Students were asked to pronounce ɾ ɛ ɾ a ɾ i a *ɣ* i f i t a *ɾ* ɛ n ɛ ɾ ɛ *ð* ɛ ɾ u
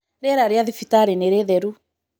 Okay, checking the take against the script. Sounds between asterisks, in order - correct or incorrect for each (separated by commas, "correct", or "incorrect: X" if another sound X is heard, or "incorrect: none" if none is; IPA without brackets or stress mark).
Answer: incorrect: ð, correct, correct